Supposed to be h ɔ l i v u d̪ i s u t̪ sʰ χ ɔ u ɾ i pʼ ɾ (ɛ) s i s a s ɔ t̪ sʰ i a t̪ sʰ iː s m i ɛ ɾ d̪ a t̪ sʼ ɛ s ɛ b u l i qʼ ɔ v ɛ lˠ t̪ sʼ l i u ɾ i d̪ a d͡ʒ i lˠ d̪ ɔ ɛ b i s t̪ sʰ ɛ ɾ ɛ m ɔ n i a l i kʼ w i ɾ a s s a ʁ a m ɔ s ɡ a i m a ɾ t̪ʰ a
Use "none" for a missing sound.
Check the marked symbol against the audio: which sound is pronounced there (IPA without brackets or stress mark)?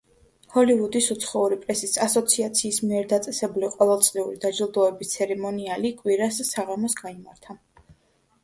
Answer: ɛ